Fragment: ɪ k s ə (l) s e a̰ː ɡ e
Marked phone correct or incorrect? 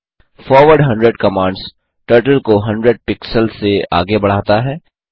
correct